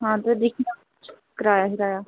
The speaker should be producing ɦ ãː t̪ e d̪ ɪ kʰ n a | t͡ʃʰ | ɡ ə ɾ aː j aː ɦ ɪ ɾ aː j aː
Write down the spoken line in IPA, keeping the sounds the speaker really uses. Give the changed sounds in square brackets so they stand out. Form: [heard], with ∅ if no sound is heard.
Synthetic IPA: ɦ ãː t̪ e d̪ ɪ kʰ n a | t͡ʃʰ | [k] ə ɾ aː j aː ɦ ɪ ɾ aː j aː